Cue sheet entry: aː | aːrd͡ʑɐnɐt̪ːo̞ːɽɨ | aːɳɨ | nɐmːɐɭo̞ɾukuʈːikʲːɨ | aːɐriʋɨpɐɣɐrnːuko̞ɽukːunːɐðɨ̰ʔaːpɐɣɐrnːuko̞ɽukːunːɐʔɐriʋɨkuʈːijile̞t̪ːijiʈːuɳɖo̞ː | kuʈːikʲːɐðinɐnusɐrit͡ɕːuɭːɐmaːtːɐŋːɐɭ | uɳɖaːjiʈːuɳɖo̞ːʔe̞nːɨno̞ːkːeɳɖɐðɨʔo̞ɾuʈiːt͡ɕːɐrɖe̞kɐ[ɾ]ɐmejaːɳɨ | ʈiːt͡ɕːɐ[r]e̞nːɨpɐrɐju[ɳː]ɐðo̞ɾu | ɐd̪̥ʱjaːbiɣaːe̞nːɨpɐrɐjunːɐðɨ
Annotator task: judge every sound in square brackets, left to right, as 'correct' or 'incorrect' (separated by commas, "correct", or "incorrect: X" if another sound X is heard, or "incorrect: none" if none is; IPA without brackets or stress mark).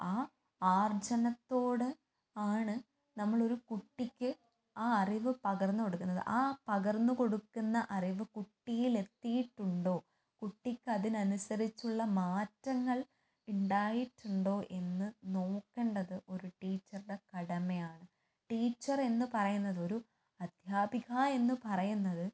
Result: incorrect: ɽ, correct, incorrect: nː